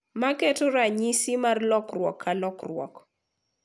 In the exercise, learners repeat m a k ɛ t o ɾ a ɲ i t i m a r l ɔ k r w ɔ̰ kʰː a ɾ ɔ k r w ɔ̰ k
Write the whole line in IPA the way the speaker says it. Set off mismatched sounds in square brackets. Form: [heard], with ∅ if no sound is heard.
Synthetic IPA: m a k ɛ t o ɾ a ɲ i [s] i m a r l ɔ k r w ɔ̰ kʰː a [l] ɔ k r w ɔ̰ k